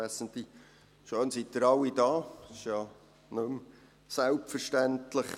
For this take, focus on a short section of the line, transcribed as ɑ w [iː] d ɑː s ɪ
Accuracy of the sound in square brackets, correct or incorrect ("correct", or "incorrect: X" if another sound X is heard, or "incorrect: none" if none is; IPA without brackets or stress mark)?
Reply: incorrect: i